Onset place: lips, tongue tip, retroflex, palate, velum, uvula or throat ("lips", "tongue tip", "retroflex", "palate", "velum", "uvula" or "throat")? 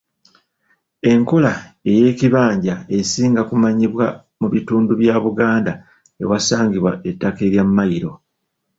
velum